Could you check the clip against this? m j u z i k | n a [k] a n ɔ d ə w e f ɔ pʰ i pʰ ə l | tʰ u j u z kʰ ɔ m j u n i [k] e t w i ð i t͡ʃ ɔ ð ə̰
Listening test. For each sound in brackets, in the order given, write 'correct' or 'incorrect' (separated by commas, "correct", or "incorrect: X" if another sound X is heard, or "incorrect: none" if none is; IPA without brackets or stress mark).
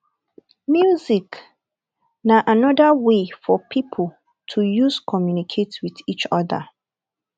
incorrect: ʔ, incorrect: kʰ